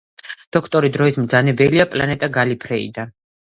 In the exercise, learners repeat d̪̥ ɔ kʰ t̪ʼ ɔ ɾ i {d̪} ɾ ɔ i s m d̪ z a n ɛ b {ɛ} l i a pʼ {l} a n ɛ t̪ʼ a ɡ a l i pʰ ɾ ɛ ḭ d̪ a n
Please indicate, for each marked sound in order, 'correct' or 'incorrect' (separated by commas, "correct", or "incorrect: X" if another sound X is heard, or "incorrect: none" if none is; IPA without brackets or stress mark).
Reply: correct, correct, correct